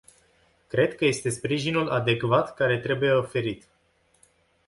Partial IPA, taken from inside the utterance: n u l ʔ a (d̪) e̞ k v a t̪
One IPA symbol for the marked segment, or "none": d̪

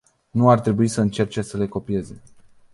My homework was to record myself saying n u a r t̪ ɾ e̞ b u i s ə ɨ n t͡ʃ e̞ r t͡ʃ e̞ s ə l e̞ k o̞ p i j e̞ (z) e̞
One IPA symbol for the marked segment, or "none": z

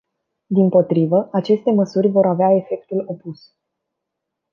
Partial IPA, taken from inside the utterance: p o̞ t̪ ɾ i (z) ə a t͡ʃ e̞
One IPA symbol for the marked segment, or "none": v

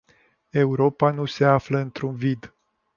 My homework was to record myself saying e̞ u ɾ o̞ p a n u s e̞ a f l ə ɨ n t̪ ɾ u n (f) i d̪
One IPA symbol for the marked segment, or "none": v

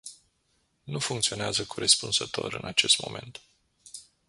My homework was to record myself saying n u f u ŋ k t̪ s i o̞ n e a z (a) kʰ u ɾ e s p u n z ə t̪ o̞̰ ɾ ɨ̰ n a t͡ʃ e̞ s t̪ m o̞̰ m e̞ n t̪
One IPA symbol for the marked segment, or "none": ə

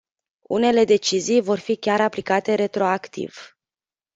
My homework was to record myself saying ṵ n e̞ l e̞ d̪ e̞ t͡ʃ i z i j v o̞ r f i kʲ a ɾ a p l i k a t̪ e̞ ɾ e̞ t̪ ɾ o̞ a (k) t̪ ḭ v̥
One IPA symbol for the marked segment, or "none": k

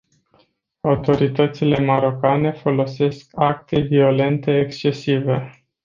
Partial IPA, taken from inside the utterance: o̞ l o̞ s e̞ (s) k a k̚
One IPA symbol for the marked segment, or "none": s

